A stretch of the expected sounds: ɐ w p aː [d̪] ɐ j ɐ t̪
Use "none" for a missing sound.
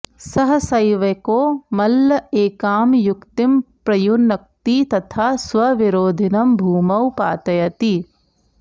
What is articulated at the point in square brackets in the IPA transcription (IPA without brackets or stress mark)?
t̪